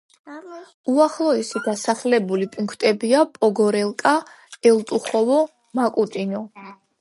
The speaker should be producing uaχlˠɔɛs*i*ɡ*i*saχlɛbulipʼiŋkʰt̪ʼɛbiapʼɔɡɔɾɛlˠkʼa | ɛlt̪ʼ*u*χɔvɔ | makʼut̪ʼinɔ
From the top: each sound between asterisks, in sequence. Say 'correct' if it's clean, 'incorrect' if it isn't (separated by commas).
correct, incorrect, correct